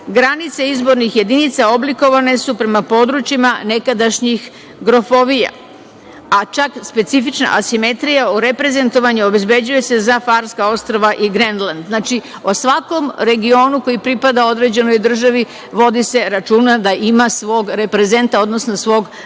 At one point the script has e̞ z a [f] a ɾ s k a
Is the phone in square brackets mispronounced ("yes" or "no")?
no